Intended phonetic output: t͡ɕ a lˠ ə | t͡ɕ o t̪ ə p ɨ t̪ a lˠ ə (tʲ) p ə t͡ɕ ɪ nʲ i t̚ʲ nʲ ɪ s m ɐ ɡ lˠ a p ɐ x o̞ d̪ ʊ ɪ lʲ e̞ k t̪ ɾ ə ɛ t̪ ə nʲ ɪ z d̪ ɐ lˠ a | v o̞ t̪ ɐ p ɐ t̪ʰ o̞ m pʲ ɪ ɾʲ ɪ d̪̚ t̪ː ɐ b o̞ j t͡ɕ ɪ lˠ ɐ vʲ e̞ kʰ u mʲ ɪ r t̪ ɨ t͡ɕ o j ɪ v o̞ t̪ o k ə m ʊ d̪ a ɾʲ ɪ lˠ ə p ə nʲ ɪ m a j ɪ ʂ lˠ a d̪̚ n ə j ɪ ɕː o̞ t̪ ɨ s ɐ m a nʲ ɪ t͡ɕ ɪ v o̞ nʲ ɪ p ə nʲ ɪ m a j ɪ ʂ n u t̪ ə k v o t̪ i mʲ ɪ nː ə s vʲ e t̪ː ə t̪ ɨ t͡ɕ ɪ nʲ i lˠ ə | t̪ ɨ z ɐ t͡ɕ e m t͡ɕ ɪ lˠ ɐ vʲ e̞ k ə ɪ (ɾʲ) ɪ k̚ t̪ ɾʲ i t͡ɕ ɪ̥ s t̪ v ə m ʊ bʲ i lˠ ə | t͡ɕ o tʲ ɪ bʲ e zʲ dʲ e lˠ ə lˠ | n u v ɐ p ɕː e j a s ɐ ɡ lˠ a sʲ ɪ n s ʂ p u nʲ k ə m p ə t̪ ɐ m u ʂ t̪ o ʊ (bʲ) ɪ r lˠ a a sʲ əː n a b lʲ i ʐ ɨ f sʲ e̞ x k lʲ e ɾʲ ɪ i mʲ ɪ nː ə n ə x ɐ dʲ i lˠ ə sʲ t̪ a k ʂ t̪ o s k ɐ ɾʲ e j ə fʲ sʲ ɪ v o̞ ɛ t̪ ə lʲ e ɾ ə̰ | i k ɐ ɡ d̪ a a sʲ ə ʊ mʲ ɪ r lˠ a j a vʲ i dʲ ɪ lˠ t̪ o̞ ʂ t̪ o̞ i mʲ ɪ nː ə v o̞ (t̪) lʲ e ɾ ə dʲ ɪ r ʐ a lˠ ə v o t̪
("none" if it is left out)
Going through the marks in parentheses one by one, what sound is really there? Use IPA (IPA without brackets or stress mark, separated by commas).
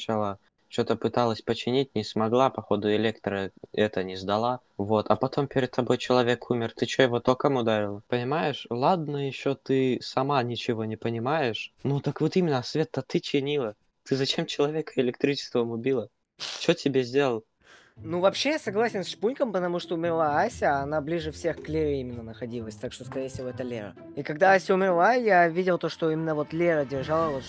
sʲ, lʲ, mʲ, t̪